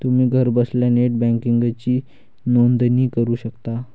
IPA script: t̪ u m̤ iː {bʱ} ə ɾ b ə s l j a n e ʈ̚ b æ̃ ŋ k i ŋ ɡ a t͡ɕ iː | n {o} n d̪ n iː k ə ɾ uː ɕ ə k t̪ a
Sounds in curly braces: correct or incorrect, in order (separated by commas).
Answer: incorrect, correct